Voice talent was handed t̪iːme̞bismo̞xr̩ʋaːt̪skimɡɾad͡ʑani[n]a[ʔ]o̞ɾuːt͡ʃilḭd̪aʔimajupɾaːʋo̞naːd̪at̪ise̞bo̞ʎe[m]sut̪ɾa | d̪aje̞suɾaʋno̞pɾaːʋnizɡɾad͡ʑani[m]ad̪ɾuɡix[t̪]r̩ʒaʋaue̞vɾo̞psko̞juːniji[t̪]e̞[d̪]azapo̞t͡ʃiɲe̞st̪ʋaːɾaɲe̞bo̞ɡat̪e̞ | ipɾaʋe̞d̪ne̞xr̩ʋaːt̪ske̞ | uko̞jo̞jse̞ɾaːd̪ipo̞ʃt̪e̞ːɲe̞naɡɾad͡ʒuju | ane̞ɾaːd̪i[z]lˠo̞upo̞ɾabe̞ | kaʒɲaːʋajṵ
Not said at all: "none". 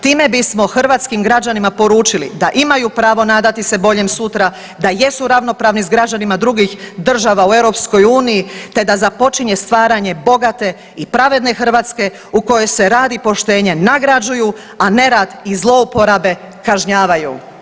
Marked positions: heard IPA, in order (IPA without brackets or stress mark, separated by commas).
m, p, m, m, d̪, t̪, d̪, z